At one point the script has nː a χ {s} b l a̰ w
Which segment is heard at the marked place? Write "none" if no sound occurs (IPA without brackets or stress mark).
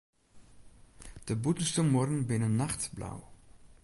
t